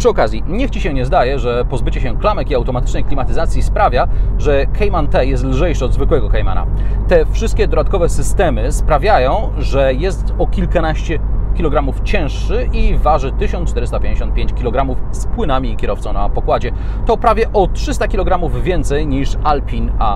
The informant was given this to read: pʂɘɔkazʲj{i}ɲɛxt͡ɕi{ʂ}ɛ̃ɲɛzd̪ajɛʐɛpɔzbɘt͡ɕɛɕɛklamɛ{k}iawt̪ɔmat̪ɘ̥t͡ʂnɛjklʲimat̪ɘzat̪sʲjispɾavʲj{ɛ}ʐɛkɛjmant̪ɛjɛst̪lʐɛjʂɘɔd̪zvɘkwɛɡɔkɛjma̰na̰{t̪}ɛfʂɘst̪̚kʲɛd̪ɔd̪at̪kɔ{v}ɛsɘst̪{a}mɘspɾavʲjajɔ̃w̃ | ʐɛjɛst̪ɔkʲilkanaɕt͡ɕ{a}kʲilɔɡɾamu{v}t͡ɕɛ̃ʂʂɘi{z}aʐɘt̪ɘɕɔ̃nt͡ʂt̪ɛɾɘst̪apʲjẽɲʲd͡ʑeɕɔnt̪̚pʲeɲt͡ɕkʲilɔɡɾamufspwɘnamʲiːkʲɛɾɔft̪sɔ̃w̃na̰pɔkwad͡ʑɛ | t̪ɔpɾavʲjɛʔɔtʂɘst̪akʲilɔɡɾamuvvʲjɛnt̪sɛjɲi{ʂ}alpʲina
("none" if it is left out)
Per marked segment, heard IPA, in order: i, ɕ, k, a, t̪, v, ɛ, ɛ, f, v, ʂ

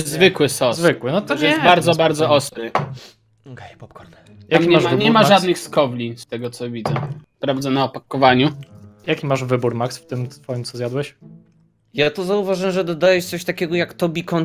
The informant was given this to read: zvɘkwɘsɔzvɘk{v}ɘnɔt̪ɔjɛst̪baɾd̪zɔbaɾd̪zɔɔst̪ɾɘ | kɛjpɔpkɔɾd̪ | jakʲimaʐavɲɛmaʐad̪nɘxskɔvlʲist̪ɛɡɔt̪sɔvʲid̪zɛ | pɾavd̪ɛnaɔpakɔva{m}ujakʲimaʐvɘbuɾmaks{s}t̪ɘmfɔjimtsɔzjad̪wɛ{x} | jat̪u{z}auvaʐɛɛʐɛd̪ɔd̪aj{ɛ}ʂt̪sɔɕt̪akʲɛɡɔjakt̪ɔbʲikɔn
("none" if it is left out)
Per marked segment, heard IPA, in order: w, ɲ, f, ɕ, z, ɛ

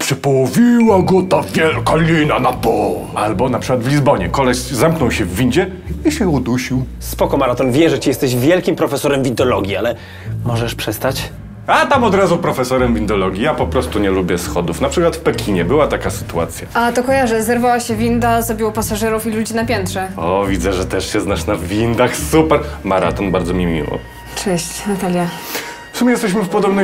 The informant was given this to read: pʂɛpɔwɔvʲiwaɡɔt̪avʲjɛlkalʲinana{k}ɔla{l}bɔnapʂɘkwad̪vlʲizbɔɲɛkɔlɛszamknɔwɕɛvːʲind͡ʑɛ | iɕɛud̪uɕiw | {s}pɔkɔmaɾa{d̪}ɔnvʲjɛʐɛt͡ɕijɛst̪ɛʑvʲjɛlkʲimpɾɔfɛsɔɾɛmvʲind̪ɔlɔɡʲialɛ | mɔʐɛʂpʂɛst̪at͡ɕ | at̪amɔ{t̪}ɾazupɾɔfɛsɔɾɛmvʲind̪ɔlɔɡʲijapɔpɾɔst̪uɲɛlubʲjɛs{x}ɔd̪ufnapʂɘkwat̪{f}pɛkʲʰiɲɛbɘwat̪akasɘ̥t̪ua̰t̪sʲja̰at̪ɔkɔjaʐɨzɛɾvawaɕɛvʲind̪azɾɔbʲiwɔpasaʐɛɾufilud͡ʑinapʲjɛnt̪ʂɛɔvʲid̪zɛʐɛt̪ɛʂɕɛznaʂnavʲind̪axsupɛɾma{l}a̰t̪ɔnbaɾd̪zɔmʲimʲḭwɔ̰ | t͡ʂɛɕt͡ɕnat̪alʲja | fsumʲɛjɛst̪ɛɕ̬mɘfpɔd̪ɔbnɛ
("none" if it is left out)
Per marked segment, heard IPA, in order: p, l, s, t̪, d̪, x, f, ɾ

